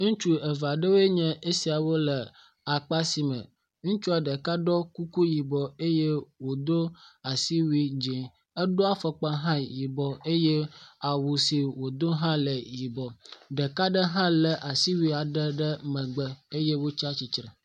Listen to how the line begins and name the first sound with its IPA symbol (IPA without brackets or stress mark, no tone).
ŋ